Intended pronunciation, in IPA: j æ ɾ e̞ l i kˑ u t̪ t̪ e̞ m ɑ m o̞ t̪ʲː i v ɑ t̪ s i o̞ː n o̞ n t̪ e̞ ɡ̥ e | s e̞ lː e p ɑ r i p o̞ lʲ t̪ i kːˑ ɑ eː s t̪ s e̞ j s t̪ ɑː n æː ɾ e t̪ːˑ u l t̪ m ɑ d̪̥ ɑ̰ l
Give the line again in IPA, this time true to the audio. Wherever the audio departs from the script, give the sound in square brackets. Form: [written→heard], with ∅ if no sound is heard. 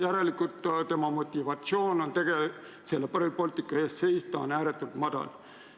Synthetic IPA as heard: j æ ɾ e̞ l i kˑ u t̪ t̪ e̞ m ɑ m o̞ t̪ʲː i v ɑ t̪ s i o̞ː n o̞ n t̪ e̞ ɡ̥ e | s e̞ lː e p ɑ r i p o̞ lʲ t̪ i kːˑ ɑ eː s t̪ s e̞ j s t̪ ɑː n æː ɾ e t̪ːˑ u l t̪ m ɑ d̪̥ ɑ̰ l